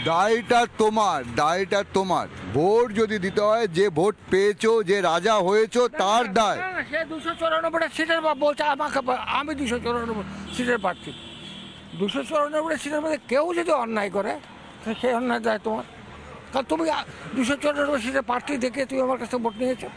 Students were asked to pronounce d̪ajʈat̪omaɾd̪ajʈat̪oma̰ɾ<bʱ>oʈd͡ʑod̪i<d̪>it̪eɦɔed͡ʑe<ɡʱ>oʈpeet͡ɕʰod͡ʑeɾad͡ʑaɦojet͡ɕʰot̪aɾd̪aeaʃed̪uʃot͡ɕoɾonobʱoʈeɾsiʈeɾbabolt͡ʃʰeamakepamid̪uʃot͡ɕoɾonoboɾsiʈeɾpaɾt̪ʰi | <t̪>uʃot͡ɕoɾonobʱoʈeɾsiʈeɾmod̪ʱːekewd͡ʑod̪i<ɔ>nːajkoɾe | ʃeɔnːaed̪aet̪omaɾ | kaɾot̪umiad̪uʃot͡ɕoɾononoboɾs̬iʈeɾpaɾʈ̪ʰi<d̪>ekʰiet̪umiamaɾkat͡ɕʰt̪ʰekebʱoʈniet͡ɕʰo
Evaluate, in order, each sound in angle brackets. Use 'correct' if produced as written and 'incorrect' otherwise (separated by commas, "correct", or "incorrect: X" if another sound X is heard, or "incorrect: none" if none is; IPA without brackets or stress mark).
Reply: correct, correct, incorrect: bʱ, incorrect: d̪, correct, correct